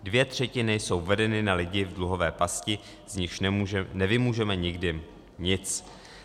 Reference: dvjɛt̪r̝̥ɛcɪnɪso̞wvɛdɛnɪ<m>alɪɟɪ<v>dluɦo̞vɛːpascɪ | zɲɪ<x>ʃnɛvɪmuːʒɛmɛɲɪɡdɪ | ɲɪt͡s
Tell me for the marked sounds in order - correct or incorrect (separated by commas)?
incorrect, correct, correct